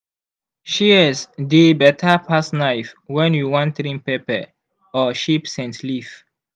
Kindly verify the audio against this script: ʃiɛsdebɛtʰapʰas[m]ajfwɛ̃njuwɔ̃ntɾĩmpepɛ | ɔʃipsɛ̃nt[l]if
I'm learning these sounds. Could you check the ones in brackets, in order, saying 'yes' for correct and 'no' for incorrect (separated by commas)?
no, yes